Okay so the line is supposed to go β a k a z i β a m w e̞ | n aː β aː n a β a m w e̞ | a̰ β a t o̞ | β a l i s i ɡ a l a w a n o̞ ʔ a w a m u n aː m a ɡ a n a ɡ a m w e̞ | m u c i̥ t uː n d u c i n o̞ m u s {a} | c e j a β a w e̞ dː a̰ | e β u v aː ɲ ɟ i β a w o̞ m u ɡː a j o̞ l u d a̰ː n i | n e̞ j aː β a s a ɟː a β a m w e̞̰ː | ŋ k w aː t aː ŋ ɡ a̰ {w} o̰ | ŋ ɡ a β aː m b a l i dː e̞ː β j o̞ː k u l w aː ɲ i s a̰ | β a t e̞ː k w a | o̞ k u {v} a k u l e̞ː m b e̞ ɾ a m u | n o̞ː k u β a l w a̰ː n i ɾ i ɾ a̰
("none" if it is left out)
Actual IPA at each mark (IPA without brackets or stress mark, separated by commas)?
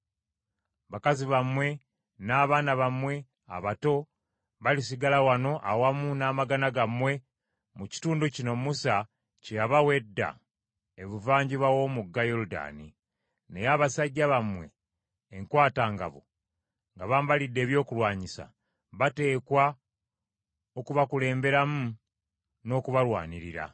a, β, β